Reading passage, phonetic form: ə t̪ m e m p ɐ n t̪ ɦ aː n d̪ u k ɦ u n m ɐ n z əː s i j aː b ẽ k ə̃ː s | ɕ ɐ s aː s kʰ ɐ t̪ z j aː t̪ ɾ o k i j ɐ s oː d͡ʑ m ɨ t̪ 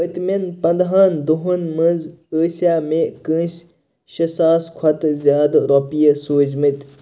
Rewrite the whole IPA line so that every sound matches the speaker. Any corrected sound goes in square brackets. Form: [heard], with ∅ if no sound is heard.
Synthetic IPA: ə t̪ m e [n] p ɐ n [d̪] ɦ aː n d̪ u [∅] ɦ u n m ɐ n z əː s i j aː [m] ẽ k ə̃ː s | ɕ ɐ s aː s kʰ ɐ t̪ z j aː [d̪] ɾ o [p] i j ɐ s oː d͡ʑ m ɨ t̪